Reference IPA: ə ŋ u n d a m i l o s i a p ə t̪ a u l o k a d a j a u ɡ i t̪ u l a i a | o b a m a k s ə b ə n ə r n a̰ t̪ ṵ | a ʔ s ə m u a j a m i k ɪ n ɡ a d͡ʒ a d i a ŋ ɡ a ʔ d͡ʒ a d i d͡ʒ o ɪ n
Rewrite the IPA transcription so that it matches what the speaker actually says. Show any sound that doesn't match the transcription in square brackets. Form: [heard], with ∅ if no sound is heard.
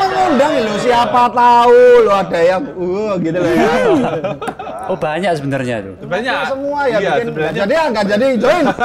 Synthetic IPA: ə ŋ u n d a [ŋ] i l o s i a p [a] t̪ a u l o [∅] a d a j a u ɡ i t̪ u l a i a | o b a [ɲ] a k s ə b ə n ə r [ɲ] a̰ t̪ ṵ | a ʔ s ə m u a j a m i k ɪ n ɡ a d͡ʒ a d i a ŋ ɡ a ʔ d͡ʒ a d i d͡ʒ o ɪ n